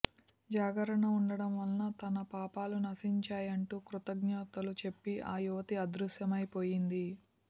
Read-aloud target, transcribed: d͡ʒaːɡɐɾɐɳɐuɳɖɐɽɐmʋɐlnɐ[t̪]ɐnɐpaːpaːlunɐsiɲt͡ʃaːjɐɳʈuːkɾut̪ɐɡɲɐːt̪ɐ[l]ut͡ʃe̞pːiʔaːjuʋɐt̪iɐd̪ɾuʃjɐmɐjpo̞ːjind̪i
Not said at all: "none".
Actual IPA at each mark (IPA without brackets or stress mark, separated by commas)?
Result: t̪, l